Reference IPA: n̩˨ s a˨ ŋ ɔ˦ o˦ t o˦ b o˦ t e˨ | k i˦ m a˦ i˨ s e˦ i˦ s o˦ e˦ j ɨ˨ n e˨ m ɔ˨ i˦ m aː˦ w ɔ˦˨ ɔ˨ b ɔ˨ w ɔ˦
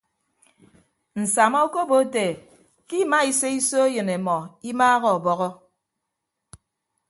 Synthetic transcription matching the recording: n̩˨ s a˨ m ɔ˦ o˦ k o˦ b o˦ t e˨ | k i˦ m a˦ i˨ s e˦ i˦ s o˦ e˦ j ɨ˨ n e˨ m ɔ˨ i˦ m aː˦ ɣ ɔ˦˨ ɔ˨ b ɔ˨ ɣ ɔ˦

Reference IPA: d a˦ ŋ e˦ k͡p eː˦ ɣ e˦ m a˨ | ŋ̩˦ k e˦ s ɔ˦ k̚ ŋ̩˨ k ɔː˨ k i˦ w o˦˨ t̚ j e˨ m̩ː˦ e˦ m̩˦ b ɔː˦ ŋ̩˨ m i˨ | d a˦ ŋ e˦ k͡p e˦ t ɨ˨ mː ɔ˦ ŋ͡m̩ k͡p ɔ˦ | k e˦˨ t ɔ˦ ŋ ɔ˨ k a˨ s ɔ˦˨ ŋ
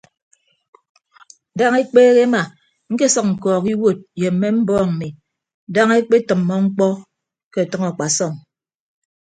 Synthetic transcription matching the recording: d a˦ ŋ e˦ k͡p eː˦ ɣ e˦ m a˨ | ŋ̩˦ k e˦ s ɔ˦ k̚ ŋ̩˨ k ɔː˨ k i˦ w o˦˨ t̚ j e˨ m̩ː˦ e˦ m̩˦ b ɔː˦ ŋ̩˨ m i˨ | d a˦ ŋ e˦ k͡p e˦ t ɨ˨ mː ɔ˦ ŋ͡m̩ k͡p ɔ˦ | k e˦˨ t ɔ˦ ŋ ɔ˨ k͡p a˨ s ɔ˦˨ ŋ

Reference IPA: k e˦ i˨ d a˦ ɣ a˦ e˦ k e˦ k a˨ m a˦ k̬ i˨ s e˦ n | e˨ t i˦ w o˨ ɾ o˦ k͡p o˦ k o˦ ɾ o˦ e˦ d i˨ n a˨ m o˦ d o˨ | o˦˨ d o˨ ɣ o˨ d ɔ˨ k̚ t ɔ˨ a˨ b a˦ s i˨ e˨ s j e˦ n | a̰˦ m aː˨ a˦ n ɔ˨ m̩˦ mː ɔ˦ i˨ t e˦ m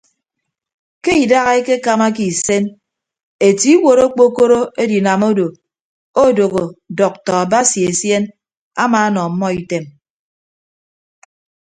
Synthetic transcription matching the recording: k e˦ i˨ d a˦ ɣ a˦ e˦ k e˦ k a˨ m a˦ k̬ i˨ s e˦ n | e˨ t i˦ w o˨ ɾ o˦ k͡p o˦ k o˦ ɾ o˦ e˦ d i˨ n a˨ m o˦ d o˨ | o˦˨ d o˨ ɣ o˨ d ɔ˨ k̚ t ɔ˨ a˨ b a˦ s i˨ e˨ s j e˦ n | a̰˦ m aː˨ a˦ n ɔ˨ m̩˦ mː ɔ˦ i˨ t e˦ m

